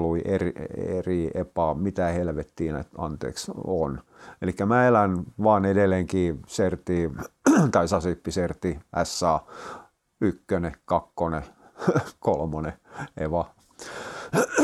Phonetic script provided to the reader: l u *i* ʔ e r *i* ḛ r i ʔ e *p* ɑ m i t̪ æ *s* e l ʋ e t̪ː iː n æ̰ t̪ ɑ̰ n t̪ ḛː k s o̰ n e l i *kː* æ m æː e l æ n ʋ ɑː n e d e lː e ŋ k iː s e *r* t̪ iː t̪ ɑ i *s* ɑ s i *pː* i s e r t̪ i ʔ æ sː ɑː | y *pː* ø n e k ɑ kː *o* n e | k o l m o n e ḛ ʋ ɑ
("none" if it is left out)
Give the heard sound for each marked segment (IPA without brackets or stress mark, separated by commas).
i, i, p, h, kː, r, s, pː, kː, o